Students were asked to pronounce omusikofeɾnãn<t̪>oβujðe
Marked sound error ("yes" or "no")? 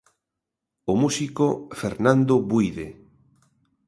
yes